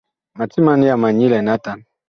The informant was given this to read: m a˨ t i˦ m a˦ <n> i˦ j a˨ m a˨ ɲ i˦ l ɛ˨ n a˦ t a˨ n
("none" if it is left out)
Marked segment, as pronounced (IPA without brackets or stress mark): n